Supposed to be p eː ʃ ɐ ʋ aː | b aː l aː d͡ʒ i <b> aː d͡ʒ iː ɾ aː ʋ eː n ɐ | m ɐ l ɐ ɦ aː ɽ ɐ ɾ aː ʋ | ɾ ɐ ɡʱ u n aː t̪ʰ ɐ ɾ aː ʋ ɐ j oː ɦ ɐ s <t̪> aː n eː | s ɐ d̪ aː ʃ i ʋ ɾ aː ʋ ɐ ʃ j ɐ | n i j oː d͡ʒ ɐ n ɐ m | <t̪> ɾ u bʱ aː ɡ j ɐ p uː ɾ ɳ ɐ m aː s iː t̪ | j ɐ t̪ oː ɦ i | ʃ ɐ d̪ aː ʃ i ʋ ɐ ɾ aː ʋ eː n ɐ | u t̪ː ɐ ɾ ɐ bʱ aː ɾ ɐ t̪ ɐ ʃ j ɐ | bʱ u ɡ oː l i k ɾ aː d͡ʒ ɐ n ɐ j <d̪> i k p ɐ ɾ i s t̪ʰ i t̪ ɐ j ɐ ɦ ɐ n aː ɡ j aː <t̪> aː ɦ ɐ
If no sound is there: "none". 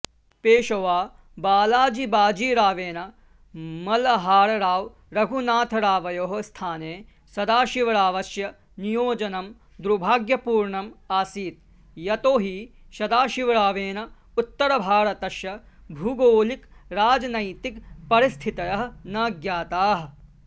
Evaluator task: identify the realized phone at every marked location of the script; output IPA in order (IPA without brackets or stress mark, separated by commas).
b, t̪ʰ, d̪, t̪, t̪